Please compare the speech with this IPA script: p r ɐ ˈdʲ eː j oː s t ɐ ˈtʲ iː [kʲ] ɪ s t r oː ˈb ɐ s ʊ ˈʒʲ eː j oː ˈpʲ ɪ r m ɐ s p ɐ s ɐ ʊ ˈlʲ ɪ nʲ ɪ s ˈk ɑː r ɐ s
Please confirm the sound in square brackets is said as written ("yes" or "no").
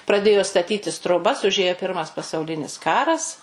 no